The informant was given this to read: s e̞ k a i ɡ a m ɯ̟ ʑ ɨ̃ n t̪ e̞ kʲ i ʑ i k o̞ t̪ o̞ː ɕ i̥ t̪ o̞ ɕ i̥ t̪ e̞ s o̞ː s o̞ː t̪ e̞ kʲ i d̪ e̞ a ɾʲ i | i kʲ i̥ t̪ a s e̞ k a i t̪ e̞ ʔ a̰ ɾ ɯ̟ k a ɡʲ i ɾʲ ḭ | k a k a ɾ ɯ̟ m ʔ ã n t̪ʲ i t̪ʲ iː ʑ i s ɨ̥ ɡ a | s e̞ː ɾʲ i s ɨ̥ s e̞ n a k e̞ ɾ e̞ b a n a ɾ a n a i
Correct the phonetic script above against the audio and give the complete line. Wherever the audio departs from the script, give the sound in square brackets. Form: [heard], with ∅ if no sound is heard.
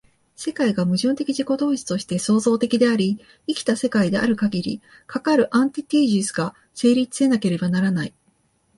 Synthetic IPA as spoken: s e̞ k a i ɡ a m ɯ̟ ʑ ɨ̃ n t̪ e̞ kʲ i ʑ i k o̞ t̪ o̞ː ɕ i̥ t̪ o̞ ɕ i̥ t̪ e̞ s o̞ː [z] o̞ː t̪ e̞ kʲ i d̪ e̞ a ɾʲ i | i kʲ i̥ t̪ a s e̞ k a i [d̪] e̞ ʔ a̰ ɾ ɯ̟ k a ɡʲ i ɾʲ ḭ | k a k a ɾ ɯ̟ [∅] ʔ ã n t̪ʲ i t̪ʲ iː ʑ i s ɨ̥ ɡ a | s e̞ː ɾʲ i [t͡s] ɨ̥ s e̞ n a k e̞ ɾ e̞ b a n a ɾ a n a i